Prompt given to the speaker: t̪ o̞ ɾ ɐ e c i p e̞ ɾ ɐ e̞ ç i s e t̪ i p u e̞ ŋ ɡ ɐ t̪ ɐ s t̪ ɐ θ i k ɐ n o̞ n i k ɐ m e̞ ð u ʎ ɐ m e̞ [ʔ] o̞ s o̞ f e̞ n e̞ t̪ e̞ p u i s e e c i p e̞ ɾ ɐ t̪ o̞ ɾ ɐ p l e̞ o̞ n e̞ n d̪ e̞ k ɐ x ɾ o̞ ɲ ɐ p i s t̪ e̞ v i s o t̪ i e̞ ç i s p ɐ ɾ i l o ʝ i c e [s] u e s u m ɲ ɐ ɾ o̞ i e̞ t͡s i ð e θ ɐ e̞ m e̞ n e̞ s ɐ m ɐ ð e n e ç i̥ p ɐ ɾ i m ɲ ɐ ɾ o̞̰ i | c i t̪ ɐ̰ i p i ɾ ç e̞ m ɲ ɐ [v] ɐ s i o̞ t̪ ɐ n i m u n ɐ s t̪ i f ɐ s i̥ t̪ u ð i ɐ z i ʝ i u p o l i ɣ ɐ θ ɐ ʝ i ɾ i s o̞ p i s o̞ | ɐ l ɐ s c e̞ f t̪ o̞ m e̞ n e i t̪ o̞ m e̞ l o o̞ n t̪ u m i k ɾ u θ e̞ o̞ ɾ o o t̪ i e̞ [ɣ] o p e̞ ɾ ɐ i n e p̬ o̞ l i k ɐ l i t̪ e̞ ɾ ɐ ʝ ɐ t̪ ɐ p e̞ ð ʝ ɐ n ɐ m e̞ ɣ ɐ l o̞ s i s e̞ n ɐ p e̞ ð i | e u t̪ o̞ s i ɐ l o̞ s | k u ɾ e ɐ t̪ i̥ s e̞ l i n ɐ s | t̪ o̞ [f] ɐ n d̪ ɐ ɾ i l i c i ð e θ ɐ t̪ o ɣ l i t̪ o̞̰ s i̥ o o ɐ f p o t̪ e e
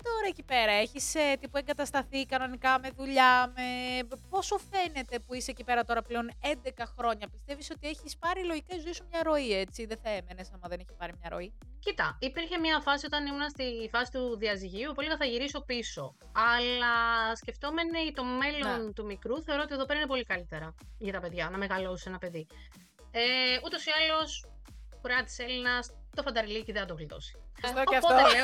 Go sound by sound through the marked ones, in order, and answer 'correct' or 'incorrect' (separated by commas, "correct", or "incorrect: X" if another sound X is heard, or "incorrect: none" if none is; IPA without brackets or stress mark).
incorrect: p, incorrect: z, incorrect: f, incorrect: ð, correct